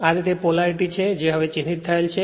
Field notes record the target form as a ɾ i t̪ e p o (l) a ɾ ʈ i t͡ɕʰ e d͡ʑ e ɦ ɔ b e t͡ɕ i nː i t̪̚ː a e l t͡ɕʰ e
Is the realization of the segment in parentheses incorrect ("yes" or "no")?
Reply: no